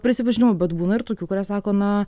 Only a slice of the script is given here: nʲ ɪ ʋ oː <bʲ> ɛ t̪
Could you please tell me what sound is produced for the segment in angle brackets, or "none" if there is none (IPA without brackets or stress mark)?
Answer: bʲ